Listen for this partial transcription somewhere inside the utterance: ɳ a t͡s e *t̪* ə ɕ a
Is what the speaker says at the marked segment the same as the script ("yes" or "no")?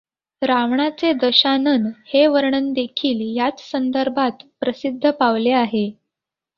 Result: no